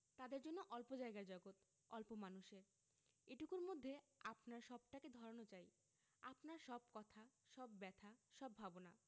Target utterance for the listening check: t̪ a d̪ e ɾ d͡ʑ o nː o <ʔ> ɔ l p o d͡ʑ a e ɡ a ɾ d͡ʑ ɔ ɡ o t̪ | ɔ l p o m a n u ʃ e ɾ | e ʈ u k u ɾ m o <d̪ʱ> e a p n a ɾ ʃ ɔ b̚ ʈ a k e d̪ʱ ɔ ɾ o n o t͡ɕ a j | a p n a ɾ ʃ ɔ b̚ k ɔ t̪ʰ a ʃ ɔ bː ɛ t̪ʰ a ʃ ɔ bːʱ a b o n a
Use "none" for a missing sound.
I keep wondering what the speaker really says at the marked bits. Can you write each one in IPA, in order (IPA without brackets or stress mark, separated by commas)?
ʔ, d̪ʱː